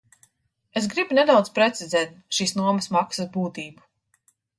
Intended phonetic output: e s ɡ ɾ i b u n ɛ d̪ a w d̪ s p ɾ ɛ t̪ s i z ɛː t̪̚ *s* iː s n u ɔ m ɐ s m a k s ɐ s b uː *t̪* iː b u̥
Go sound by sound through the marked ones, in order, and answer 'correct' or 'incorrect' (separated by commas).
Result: incorrect, correct